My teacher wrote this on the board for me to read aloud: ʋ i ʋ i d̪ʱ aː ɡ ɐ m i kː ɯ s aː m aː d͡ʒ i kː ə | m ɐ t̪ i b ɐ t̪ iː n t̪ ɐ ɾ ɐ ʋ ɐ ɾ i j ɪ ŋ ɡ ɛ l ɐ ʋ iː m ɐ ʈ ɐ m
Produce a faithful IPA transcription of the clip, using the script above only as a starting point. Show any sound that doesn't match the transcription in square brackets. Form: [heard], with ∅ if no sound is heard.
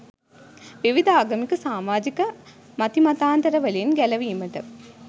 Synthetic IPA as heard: ʋ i ʋ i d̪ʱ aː ɡ ɐ m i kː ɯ s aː m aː d͡ʒ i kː [ɐ] | m ɐ t̪ i [m] ɐ t̪ [aː] n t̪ ɐ ɾ ɐ ʋ ɐ [l] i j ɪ [n] ɡ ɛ l ɐ ʋ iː m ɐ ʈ ɐ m

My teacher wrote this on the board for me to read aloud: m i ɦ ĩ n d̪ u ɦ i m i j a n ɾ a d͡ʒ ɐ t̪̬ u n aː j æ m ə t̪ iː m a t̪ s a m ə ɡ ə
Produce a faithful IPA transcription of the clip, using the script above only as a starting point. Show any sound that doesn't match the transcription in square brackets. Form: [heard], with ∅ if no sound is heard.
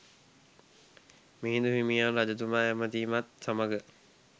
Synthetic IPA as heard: m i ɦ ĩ n d̪ u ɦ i m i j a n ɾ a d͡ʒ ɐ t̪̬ u [m] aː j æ m ə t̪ iː m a t̪ s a m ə ɡ ə

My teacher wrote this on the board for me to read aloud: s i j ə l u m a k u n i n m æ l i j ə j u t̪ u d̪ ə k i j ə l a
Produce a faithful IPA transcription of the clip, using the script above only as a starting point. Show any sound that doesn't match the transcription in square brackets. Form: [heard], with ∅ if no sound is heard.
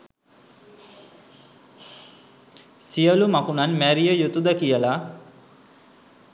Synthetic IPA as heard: s i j ə l u m a k u n [a] n m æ [ɾ] i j ə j u t̪ u d̪ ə k i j ə l a

